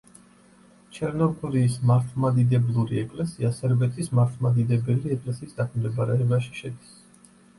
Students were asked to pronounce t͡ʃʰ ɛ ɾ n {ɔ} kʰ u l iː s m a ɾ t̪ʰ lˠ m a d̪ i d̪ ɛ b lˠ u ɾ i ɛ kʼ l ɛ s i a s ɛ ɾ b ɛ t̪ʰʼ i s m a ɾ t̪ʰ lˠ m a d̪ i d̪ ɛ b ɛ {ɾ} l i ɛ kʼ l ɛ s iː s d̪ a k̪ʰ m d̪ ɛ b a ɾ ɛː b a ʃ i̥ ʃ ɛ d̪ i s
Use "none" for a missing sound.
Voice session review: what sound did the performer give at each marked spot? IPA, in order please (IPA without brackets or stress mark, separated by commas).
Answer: ɔ, none